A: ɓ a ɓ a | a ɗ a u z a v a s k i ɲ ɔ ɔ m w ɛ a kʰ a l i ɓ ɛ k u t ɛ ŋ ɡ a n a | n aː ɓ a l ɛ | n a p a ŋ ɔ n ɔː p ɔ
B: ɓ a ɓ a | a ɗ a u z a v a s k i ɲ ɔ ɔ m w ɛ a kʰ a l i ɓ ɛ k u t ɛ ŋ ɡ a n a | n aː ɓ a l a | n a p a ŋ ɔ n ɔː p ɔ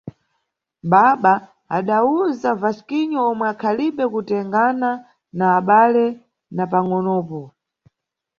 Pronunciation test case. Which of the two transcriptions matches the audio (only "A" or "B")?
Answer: A